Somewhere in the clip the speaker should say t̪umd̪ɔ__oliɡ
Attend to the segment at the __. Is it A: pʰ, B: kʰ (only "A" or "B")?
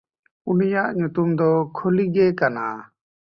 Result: B